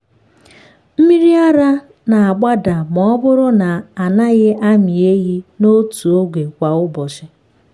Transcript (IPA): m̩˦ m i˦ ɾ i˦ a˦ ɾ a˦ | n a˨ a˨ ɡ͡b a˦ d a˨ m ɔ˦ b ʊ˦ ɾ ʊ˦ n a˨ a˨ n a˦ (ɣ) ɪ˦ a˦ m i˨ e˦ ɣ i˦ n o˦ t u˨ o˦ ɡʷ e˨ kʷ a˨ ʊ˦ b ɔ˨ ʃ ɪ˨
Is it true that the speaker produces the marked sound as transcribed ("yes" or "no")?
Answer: yes